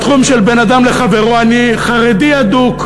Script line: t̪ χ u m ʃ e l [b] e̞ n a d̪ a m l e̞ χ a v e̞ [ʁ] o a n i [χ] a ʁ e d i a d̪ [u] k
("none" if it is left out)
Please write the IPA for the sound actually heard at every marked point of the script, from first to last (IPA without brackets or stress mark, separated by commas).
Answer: b, ʁ, χ, u